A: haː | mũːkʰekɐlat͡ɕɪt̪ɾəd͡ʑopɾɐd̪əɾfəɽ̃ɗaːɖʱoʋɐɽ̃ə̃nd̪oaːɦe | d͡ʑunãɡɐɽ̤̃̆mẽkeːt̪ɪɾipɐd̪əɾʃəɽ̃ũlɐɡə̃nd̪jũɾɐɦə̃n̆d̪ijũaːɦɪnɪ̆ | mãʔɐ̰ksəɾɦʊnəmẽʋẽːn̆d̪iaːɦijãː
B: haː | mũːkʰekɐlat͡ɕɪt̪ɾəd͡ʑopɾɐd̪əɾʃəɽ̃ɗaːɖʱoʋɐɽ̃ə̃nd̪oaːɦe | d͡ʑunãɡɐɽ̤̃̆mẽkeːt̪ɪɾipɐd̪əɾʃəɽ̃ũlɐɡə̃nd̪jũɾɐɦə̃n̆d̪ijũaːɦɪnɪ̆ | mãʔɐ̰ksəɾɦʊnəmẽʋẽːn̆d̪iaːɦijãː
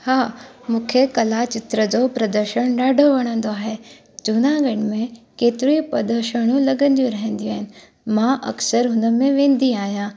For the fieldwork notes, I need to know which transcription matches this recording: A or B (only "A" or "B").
B